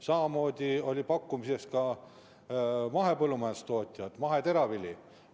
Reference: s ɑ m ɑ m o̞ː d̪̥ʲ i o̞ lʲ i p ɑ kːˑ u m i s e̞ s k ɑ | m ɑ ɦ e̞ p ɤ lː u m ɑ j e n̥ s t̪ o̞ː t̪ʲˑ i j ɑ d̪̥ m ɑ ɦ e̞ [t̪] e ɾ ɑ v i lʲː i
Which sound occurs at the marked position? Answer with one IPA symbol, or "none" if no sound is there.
t̪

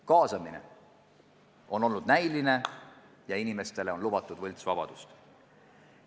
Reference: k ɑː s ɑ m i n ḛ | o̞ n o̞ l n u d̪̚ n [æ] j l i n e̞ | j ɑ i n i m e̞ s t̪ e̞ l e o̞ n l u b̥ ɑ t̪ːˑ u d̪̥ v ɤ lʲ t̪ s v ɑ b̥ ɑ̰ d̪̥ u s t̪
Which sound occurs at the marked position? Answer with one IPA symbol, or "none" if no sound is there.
æ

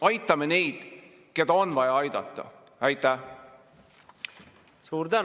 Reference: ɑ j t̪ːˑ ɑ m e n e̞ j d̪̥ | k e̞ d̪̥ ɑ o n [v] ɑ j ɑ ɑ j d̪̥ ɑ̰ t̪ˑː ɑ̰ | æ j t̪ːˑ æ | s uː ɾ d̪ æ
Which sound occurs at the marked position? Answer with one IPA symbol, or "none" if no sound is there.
v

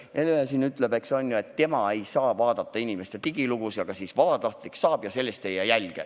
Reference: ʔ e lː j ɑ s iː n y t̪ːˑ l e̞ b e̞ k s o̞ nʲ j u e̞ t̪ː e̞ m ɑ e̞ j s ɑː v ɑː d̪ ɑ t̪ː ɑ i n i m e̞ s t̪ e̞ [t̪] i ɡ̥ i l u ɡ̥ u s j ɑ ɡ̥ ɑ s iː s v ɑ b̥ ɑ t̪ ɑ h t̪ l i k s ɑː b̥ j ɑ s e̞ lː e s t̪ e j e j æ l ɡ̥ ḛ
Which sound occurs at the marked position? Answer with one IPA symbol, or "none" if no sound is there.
t̪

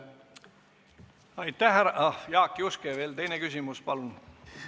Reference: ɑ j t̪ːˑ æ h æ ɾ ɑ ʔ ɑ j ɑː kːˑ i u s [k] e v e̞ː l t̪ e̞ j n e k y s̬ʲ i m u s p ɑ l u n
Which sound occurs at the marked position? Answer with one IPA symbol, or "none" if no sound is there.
k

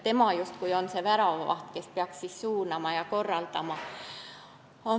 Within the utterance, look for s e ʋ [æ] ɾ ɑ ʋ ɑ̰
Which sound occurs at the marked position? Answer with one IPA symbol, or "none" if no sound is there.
æ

